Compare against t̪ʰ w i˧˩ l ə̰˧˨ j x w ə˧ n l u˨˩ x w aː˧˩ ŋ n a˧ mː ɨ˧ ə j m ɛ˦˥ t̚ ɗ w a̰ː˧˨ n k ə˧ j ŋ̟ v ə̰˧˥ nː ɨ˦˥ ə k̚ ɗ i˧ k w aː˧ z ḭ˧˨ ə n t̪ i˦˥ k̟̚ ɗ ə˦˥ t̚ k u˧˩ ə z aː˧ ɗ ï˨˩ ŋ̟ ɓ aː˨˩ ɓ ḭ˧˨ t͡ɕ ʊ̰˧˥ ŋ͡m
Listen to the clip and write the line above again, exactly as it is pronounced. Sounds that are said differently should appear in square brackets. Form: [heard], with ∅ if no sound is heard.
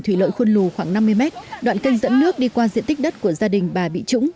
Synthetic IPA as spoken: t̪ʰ w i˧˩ l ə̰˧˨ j x w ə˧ n l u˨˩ x w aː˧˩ ŋ n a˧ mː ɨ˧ ə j m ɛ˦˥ t̚ ɗ w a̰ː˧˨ n k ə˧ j ŋ̟ [z] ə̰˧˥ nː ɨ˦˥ ə k̚ ɗ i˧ k w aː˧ z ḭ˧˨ ə n t̪ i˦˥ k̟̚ ɗ ə˦˥ t̚ k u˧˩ ə z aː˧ ɗ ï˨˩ ŋ̟ ɓ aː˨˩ ɓ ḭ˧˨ t͡ɕ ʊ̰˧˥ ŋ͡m